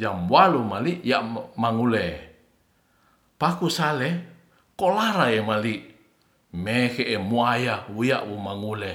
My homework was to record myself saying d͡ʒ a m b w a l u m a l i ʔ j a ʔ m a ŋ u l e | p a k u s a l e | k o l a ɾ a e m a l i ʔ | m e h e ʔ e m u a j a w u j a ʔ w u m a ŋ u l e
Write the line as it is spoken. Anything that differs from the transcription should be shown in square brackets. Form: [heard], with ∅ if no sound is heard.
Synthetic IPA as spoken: d͡ʒ a m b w a l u m a l i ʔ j a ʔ m a ŋ u l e | p a k u s a l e | k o l a ɾ a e m a l i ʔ | m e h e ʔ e m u a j a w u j a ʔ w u m a ŋ u l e